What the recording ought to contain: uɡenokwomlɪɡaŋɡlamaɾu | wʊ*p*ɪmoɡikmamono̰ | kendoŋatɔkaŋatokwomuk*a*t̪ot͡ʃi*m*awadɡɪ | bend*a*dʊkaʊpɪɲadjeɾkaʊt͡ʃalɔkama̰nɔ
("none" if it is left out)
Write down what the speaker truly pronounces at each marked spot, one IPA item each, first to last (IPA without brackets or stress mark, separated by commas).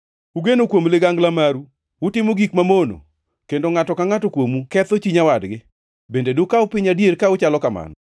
t, ɛ, ɲ, e